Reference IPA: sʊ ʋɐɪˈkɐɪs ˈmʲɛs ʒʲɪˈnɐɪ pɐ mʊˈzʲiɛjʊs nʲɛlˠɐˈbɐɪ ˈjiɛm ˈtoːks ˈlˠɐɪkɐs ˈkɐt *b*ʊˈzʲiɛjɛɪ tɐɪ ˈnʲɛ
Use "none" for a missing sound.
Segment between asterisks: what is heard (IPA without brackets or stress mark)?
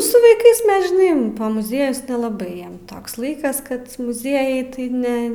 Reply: m